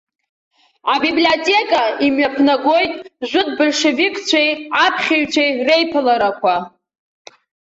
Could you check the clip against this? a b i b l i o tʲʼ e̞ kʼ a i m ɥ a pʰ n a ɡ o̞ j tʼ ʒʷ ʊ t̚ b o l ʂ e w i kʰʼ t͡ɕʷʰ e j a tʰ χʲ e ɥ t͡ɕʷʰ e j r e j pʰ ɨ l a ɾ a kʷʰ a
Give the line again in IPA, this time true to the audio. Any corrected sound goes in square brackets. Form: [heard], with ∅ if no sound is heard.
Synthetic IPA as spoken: a b i b l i o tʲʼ e̞ kʼ a i m ɥ a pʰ n a ɡ o̞ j tʼ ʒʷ ʊ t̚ b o l ʂ e [v] i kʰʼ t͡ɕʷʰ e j a [pʰ] χʲ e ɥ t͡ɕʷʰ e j r e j pʰ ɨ l a ɾ a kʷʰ a

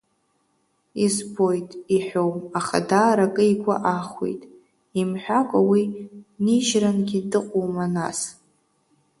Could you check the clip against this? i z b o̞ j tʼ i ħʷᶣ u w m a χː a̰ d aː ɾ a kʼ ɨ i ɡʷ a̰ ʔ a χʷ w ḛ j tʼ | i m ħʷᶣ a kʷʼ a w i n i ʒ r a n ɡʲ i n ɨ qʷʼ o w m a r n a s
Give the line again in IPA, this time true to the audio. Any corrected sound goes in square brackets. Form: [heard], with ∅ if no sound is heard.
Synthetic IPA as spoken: i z b o̞ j tʼ i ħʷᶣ [o] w m a [χ] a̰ d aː ɾ a kʼ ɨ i ɡʷ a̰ ʔ a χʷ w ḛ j tʼ | i m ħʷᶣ a kʷʼ a w i n i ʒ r a n ɡʲ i [d] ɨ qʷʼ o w m a [∅] n a s

